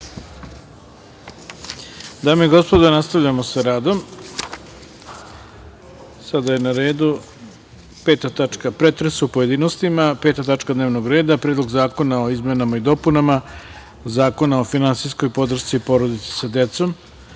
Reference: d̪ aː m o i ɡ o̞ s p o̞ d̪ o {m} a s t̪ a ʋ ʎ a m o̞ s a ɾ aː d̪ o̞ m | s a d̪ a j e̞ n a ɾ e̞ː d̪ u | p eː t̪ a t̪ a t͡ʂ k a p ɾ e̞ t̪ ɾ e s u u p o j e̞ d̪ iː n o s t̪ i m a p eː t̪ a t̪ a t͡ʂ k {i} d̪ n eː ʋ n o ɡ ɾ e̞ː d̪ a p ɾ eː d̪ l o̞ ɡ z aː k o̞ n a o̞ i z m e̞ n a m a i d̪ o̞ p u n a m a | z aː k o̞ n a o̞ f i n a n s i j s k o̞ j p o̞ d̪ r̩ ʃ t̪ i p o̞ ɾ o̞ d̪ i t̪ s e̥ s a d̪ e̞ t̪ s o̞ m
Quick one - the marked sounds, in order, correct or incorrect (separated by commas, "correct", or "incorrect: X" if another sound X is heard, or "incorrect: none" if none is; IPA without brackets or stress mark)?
incorrect: n, incorrect: a